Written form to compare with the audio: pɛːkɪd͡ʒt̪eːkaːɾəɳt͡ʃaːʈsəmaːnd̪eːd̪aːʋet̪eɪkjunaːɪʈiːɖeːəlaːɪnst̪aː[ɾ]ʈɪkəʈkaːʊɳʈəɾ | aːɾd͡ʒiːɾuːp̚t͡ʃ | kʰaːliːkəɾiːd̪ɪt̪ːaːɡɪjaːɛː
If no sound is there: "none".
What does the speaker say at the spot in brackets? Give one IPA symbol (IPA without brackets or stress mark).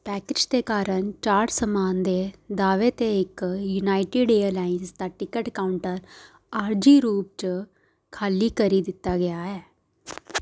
none